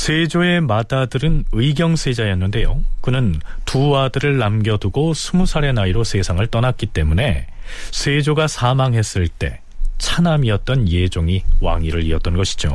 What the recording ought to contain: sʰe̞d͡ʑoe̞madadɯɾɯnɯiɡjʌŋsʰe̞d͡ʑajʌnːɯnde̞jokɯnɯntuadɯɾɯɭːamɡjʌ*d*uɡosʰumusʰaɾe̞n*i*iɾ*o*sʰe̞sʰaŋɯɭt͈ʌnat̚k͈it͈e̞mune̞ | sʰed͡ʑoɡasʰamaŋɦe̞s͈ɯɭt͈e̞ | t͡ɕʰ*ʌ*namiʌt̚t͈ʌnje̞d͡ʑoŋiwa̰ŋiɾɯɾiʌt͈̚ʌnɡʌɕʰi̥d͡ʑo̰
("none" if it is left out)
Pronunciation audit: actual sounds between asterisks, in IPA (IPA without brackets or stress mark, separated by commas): d, a, o, a